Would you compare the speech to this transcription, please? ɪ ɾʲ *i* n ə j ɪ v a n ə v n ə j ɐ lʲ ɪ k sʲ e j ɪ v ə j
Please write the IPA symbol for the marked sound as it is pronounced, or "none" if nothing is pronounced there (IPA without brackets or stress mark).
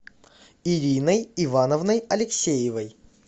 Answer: i